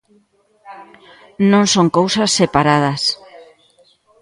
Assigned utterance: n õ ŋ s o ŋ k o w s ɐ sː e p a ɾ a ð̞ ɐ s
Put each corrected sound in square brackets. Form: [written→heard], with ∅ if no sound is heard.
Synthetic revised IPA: n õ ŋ s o ŋ k o w s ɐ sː e p a ɾ a ð̞ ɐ s